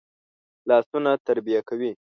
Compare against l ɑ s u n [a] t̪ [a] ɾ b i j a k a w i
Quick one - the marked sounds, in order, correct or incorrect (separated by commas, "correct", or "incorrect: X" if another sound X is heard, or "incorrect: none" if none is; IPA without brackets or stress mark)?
correct, correct